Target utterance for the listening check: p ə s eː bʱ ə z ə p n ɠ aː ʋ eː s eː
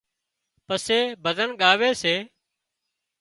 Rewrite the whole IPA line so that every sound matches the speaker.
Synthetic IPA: p ə s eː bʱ ə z ə n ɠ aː ʋ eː s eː